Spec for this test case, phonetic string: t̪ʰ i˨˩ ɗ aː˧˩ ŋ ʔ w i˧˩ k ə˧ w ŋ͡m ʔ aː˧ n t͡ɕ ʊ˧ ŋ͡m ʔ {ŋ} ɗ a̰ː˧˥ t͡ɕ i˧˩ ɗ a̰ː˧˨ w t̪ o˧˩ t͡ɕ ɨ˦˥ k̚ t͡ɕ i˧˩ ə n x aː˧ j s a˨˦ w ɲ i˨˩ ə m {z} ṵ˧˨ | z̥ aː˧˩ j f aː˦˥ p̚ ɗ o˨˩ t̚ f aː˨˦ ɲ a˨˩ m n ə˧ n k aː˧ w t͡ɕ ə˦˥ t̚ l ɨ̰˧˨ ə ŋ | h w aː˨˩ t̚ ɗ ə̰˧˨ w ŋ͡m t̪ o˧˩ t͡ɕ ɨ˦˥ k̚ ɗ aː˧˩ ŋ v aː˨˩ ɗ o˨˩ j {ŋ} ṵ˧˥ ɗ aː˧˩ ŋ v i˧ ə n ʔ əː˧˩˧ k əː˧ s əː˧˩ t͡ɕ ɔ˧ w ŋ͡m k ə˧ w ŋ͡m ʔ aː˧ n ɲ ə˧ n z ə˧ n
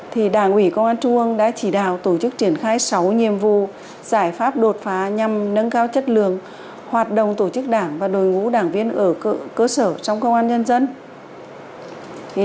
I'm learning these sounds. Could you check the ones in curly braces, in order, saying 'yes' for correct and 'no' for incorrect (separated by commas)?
yes, no, yes